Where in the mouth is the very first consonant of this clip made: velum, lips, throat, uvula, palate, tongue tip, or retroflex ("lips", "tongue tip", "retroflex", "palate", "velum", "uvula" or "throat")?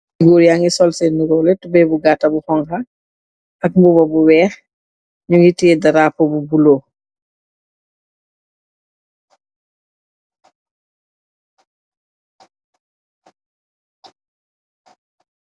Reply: velum